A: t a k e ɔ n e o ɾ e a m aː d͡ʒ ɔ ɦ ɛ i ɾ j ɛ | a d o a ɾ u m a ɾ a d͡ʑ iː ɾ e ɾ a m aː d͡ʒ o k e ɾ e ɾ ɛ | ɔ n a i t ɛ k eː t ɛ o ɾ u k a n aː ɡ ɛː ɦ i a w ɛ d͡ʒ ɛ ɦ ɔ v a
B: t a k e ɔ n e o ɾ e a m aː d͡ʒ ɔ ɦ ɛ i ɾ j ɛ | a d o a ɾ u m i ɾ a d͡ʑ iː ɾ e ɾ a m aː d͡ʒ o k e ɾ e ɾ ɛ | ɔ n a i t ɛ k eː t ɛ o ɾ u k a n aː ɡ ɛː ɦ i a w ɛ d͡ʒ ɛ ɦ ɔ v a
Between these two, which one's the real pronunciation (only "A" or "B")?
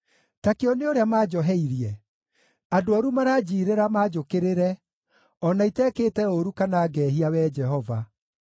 A